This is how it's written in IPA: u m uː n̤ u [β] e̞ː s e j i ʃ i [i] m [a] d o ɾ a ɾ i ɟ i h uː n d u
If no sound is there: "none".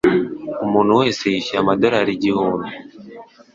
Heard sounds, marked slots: w, a, a

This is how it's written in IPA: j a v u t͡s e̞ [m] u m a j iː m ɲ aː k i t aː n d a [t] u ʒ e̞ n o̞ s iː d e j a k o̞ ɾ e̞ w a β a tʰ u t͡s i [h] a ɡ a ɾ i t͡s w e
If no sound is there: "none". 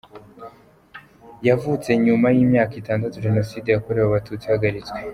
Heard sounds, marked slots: ɲ, t, h

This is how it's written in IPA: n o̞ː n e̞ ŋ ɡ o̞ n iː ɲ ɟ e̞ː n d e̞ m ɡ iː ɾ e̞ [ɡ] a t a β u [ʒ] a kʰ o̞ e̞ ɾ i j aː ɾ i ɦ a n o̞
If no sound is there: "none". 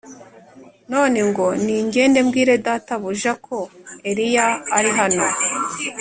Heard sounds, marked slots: d, ʒ

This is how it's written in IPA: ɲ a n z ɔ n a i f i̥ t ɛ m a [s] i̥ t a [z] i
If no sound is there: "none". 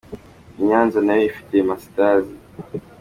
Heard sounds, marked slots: s, z

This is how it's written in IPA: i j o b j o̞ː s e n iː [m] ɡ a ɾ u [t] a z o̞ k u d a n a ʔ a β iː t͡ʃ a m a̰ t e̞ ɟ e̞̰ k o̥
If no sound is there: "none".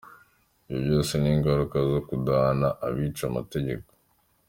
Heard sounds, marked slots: ŋ, k

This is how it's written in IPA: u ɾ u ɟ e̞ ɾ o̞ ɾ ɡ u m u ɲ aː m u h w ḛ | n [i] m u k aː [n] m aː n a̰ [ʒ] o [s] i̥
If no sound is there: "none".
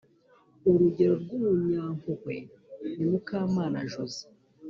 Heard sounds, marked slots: i, none, ʒ, z

